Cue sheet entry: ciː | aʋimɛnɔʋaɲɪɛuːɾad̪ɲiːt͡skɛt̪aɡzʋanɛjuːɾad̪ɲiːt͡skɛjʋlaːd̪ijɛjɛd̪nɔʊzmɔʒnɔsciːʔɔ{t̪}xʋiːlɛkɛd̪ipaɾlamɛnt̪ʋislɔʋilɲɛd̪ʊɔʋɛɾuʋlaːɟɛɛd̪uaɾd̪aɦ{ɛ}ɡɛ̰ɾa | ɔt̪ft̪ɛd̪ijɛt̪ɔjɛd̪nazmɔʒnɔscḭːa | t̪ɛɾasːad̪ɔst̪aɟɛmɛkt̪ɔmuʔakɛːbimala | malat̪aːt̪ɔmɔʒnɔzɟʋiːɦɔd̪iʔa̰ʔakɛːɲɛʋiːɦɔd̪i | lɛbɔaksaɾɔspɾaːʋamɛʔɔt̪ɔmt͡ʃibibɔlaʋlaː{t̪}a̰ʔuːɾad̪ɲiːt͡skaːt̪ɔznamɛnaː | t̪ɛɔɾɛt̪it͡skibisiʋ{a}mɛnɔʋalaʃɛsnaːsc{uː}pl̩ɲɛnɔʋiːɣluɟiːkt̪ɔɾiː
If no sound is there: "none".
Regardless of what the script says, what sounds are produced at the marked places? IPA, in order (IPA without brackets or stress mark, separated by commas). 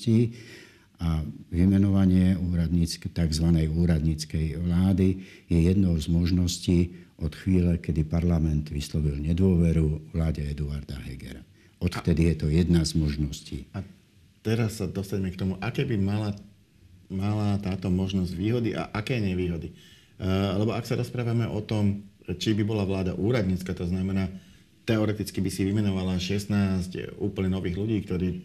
t̪, ɛ, d̪, i, uː